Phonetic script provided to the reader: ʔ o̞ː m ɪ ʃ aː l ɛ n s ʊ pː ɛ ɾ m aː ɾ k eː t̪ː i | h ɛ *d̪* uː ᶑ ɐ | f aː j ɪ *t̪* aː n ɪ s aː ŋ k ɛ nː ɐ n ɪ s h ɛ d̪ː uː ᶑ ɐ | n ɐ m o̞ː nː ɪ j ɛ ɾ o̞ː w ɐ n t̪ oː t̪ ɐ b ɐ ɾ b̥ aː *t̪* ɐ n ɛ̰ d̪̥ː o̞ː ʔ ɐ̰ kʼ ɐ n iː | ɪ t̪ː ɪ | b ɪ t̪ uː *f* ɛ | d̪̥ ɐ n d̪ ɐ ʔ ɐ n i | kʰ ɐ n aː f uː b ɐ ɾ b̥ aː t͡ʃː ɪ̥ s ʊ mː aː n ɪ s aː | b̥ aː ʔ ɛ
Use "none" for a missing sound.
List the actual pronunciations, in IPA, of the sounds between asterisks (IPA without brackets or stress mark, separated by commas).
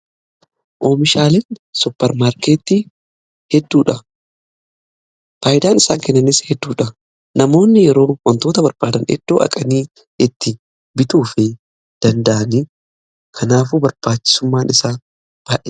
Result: d̪ː, d̪, d̪, f